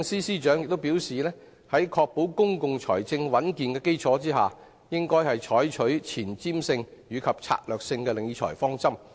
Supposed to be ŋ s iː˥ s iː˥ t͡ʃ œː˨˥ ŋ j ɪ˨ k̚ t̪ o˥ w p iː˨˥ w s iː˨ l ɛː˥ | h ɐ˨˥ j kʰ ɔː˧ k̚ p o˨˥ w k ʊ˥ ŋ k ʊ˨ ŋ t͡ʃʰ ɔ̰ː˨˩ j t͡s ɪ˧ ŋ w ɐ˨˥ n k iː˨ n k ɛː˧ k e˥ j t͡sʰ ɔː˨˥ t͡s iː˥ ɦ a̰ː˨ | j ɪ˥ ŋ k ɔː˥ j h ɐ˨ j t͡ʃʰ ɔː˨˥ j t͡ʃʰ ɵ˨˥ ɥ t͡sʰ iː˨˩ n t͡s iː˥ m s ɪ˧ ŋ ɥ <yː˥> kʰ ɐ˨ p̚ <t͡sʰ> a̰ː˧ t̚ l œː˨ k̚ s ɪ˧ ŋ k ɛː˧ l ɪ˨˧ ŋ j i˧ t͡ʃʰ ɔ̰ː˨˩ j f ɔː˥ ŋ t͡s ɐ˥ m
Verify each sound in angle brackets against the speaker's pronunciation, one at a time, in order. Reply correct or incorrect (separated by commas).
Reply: incorrect, correct